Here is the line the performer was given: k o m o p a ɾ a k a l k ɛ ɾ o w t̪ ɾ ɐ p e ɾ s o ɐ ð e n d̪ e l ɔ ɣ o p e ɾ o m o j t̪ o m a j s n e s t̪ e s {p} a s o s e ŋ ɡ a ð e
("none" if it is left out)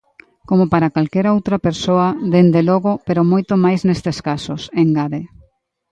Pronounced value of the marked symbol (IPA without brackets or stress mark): k